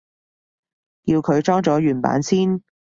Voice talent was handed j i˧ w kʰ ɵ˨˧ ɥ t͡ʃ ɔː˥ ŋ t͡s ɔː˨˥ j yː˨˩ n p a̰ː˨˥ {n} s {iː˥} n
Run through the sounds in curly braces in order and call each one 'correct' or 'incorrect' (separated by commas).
correct, correct